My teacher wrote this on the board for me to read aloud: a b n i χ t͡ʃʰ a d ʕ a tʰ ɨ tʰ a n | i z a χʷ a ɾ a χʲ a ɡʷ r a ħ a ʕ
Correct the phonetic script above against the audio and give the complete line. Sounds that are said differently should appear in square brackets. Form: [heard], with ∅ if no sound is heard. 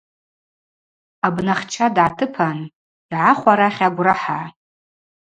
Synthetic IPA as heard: a b n [a] χ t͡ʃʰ a d ʕ a tʰ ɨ [pʰ] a n | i [ʕ] a χʷ a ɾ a χʲ a ɡʷ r a ħ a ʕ